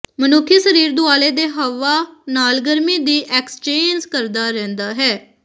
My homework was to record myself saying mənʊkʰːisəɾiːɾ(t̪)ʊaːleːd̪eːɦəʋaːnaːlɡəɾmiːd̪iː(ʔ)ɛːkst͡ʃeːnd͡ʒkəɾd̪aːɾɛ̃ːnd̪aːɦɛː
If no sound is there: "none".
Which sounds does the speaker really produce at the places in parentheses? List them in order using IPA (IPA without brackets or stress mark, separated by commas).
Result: d̪, ʔ